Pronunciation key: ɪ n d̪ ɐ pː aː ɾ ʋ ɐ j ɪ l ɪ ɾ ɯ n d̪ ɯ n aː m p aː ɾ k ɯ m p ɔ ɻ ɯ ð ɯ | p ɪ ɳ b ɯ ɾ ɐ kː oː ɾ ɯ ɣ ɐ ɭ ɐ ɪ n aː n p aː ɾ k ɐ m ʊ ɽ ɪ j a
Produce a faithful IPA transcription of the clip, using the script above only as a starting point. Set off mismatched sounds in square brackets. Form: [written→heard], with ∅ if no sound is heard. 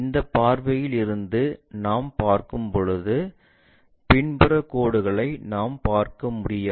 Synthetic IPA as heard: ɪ n d̪ ɐ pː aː ɾ ʋ ɐ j ɪ l ɪ ɾ ɯ n d̪ ɯ n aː m p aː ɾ k ɯ m p ɔ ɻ ɯ ð ɯ | p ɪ ɳ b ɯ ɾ ɐ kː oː [ɾ→ɽ] ɯ ɣ ɐ ɭ ɐ ɪ n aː [n→m] p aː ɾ k ɐ m ʊ ɽ ɪ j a